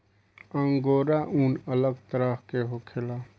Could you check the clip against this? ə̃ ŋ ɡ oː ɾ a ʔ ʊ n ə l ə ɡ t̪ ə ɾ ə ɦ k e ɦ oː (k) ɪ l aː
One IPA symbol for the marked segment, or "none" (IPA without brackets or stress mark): kʰ